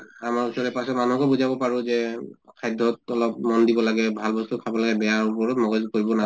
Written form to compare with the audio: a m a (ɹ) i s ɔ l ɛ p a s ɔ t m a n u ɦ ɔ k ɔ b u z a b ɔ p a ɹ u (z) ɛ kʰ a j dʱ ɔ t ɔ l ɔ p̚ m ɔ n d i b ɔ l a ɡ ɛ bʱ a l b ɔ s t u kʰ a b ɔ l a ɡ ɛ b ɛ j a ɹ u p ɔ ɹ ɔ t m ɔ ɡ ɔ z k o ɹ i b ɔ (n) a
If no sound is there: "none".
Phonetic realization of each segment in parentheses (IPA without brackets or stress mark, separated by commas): ɹ, z, n